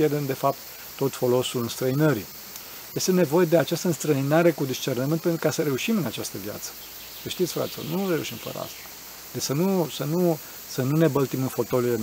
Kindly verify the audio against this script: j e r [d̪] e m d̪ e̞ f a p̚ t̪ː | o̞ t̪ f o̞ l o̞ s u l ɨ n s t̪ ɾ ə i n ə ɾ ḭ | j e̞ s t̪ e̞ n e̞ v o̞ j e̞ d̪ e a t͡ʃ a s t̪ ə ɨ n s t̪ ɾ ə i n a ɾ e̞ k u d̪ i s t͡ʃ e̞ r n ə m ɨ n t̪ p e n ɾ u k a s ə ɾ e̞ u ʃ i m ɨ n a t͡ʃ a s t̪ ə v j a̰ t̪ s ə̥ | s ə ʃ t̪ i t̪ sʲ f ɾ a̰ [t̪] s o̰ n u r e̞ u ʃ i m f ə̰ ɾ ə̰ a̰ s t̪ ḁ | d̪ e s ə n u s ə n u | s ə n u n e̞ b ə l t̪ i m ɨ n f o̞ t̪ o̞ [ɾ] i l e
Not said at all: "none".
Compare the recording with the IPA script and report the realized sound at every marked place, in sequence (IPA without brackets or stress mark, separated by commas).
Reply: d̪, t̪, l